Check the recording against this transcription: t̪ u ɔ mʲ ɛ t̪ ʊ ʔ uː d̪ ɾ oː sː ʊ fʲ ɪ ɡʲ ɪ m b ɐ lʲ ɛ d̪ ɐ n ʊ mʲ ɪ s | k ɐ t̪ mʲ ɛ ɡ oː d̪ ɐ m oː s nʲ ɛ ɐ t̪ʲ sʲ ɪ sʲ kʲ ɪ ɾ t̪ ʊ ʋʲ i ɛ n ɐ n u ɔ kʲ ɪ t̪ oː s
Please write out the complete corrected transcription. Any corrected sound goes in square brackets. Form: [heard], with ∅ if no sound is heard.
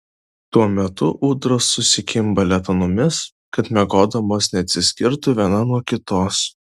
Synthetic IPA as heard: t̪ u ɔ mʲ ɛ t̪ ʊ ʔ uː d̪ ɾ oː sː ʊ [sʲ] ɪ [kʲ] ɪ m b ɐ lʲ ɛ [t̪] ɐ n ʊ mʲ ɪ s | k ɐ t̪ mʲ ɛ ɡ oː d̪ ɐ m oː s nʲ ɛ ɐ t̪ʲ sʲ ɪ sʲ kʲ ɪ ɾ t̪ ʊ ʋʲ i ɛ n ɐ n u ɔ kʲ ɪ t̪ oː s